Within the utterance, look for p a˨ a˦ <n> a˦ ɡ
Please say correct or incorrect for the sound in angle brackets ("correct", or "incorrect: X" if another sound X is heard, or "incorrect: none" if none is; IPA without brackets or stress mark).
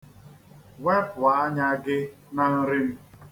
incorrect: ɲ